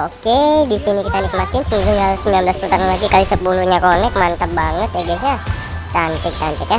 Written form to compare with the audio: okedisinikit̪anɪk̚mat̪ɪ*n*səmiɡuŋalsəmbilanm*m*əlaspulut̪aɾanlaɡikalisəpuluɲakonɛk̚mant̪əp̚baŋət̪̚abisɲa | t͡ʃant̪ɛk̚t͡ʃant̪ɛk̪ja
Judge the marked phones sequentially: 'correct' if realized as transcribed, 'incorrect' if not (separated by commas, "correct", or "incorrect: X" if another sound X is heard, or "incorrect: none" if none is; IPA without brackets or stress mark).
correct, incorrect: b